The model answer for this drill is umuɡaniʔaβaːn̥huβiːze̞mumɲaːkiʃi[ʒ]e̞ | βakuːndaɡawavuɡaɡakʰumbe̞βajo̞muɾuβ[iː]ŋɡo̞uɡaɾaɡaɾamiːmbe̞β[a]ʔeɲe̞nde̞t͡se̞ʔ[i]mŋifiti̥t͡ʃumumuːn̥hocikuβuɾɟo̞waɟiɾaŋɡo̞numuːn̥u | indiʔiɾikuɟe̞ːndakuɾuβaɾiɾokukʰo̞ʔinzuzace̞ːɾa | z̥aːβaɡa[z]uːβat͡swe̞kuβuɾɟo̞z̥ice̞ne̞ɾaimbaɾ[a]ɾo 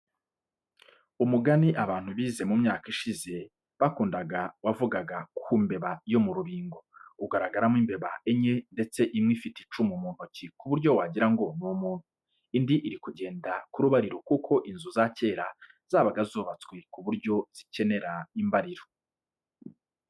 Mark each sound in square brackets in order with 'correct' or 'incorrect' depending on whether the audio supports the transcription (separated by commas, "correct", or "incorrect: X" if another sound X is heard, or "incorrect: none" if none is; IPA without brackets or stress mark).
incorrect: z, correct, correct, correct, correct, incorrect: i